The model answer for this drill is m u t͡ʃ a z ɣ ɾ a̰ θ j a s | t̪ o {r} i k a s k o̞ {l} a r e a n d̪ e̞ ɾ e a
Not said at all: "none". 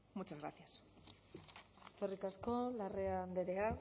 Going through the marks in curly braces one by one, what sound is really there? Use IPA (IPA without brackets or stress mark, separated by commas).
r, l